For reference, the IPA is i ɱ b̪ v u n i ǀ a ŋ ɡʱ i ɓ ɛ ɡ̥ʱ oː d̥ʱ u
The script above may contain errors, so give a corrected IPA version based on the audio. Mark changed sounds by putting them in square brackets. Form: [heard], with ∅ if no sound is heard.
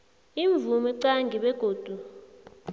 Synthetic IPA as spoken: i ɱ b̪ v u [m] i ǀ a ŋ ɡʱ i ɓ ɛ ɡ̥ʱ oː d̥ʱ u